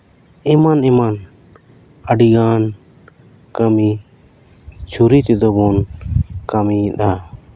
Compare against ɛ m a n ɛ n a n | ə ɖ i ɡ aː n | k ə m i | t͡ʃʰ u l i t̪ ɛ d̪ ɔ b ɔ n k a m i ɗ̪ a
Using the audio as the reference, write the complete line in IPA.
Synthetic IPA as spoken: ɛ m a n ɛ m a n | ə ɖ i ɡ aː n | k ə m i | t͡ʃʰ u ɾ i t̪ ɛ d̪ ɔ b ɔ n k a m i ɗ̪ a